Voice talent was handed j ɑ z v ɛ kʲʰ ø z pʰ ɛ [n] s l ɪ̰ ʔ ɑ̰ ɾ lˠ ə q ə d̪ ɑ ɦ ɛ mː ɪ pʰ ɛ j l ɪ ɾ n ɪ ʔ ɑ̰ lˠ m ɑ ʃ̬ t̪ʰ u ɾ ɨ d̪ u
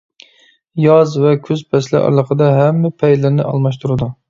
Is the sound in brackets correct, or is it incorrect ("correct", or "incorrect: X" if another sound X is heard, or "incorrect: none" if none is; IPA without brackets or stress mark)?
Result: incorrect: none